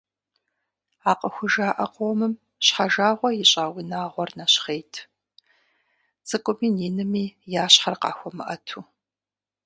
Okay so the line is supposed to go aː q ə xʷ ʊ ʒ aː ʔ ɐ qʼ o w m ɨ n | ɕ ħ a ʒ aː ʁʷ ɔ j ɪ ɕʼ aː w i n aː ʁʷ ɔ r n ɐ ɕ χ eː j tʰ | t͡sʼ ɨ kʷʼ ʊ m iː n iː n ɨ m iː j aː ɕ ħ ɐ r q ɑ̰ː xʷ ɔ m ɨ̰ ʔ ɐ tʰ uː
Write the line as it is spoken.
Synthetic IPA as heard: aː q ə xʷ ʊ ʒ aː ʔ ɐ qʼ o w m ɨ m | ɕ ħ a ʒ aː ʁʷ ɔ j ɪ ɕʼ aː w i n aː ʁʷ ɔ r n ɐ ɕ χ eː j tʰ | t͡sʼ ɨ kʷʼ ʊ m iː n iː n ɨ m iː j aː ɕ ħ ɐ r q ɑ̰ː xʷ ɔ m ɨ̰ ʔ ɐ tʰ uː